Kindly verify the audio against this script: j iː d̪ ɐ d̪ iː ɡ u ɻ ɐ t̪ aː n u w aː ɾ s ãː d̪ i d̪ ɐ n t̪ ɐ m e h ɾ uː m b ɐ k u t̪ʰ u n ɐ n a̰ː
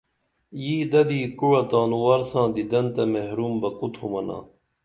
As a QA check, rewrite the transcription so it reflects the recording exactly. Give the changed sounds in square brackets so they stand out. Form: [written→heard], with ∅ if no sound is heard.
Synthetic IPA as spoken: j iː d̪ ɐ d̪ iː [ɡ→k] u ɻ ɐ t̪ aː n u w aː ɾ s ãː d̪ i d̪ ɐ n t̪ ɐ m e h ɾ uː m b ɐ k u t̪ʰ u [n→m] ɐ n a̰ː